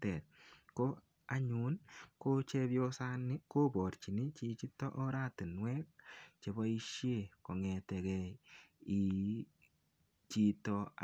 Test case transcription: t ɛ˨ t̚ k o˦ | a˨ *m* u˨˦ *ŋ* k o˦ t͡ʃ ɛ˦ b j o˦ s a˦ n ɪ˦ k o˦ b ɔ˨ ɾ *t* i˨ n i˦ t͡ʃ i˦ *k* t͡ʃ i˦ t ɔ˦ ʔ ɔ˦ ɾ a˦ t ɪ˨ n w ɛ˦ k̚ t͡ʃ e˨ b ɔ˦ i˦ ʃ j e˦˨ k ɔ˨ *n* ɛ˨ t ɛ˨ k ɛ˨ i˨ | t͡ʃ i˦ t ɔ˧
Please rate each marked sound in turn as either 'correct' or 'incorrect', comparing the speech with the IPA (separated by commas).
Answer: incorrect, incorrect, incorrect, incorrect, incorrect